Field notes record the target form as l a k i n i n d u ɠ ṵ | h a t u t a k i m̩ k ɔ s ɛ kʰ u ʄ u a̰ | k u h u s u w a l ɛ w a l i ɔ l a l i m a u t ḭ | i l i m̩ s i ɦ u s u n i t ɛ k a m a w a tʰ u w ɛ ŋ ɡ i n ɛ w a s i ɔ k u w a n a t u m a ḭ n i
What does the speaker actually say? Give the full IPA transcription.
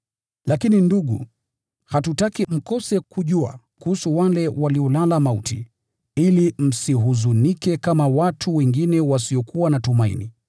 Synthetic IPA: l a k i n i n d u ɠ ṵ | h a t u t a k i m̩ k ɔ s ɛ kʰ u ʄ u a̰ | k u h u s u w a l ɛ w a l i ɔ l a l a m a u t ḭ | i l i m̩ s i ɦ u z u n i k ɛ k a m a w a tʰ u w ɛ ŋ ɡ i n ɛ w a s i ɔ k u w a n a t u m a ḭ n i